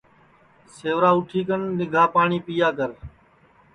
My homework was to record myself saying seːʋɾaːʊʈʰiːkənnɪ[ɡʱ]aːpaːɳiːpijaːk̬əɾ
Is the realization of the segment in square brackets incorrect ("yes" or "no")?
no